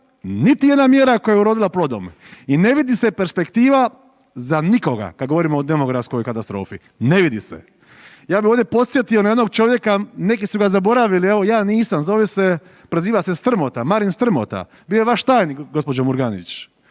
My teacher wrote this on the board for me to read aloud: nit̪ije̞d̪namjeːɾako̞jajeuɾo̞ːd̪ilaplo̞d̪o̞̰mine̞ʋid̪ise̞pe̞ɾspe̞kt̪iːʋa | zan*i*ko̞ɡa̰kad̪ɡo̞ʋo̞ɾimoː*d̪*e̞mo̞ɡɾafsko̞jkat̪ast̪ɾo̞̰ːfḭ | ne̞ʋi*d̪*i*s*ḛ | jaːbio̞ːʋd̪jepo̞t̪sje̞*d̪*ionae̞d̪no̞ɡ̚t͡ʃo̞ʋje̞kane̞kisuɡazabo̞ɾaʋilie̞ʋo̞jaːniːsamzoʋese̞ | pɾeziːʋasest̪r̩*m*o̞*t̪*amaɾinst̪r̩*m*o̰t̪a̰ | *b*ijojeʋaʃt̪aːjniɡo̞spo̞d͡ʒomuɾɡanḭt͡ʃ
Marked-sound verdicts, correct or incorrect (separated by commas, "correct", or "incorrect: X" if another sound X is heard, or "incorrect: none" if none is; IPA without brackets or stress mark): correct, correct, correct, correct, incorrect: t̪, correct, correct, correct, correct